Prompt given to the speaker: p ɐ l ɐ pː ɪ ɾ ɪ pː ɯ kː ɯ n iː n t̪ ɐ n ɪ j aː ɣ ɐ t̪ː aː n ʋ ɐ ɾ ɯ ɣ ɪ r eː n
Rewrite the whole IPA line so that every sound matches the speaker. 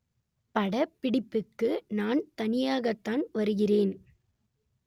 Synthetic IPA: p ɐ ɽ ɐ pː ɪ ɽ ɪ pː ɯ kː ɯ n aː n t̪ ɐ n ɪ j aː ɣ ɐ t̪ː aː n ʋ ɐ ɾ ɯ ɣ ɪ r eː n

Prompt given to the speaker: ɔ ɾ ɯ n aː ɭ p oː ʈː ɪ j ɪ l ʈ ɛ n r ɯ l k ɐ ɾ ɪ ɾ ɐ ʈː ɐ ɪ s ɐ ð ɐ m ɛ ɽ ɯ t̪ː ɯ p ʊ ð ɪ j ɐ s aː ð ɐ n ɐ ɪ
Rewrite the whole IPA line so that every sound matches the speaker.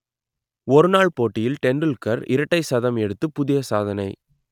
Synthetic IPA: ɔ ɾ ɯ n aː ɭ p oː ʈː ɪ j ɪ l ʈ ɛ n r ɯ l k ɐ ɾ ɪ ɾ ɐ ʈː ɐ ɪ s ɐ ð ɐ m ɛ ɽ ɯ t̪ː ɯ p ʊ ð ɪ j ɐ s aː ð ɐ n ɐ ɪ

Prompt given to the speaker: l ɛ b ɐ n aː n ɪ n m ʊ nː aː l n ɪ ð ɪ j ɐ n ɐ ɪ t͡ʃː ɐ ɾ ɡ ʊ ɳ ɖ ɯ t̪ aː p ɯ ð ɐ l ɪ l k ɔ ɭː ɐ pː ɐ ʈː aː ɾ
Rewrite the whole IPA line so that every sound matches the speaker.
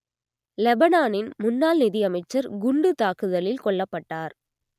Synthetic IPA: l ɛ b ɐ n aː n ɪ n m ʊ nː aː l n ɪ ð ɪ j ɐ m ɐ ɪ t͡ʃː ɐ ɾ ɡ ʊ ɳ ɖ ɯ t̪ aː k ɯ ð ɐ l ɪ l k ɔ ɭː ɐ pː ɐ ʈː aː ɾ

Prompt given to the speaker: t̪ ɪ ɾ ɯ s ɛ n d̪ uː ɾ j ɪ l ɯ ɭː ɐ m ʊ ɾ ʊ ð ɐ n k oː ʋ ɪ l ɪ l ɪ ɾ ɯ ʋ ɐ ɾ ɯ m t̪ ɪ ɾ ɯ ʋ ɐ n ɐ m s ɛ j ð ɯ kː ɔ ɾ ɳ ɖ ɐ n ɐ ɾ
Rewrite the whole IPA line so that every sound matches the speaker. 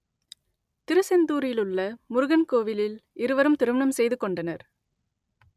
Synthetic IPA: t̪ ɪ ɾ ɯ s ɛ n d̪ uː ɾ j ɪ l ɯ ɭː ɐ m ʊ ɾ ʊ ɣ ɐ n k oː ʋ ɪ l ɪ l ɪ ɾ ɯ ʋ ɐ ɾ ɯ m t̪ ɪ ɾ ɯ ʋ ɐ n ɐ m s ɛ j ð ɯ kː ɔ ɳ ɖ ɐ n ɐ ɾ

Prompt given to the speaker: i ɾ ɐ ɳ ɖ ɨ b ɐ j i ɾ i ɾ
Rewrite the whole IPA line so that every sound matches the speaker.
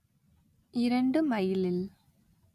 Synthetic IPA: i ɾ ɐ ɳ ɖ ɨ m ɐ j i l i l

